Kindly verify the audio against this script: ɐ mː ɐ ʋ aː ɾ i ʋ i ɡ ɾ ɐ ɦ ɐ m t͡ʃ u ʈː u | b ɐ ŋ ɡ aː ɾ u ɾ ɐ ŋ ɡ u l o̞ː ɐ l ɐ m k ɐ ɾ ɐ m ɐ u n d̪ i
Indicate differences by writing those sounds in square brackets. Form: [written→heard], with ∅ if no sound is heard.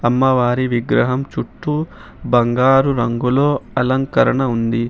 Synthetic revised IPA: ɐ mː ɐ ʋ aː ɾ i ʋ i ɡ ɾ ɐ ɦ ɐ m t͡ʃ u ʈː u | b ɐ ŋ ɡ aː ɾ u ɾ ɐ ŋ ɡ u l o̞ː ɐ l ɐ [m→ŋ] k ɐ ɾ ɐ [m→ɳ] ɐ u n d̪ i